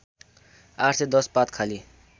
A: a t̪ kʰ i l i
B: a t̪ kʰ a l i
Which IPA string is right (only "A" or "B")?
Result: B